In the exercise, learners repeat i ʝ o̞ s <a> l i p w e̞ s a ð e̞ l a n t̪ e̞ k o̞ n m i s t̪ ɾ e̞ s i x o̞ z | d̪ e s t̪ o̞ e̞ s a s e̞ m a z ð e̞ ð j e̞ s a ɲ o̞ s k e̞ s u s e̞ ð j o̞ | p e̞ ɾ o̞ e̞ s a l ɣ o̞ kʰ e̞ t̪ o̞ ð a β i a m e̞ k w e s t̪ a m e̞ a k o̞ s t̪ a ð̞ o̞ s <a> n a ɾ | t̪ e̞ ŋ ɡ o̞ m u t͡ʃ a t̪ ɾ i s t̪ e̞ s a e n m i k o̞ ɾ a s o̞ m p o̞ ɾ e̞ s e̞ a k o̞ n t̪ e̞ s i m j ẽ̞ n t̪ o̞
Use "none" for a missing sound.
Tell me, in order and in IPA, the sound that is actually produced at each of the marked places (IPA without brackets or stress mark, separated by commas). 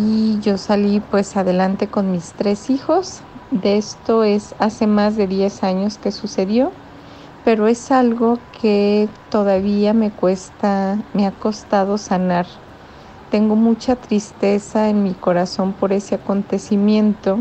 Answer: a, a